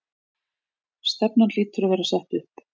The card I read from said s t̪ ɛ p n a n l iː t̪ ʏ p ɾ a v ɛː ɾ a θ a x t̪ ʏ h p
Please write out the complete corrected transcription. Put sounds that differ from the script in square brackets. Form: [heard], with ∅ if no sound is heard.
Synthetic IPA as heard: s t̪ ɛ p n a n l iː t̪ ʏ [∅] ɾ a v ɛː ɾ a [s] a [h] t̪ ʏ h p